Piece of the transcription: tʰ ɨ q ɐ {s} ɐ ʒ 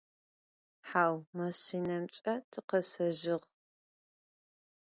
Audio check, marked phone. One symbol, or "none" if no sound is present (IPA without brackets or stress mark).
s